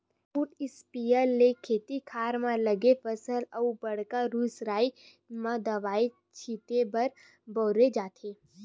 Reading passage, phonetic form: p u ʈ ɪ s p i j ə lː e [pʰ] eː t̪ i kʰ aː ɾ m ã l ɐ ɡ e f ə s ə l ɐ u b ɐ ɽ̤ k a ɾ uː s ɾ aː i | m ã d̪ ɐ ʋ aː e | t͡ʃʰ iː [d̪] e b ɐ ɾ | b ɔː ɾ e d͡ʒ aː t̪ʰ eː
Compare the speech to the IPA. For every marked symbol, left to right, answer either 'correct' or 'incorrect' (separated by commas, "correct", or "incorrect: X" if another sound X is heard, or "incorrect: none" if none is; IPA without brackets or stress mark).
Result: incorrect: kʰ, incorrect: t̪